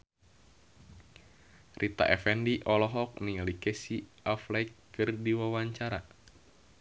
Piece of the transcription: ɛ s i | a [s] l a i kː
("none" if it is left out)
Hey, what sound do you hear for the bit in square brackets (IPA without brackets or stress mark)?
f